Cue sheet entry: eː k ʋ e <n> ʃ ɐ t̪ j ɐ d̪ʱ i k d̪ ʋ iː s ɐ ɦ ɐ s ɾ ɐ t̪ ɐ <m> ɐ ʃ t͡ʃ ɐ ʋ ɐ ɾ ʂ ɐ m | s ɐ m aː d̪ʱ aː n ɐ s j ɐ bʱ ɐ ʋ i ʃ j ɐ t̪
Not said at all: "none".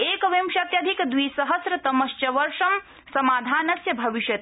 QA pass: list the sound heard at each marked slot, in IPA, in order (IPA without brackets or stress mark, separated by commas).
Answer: m, m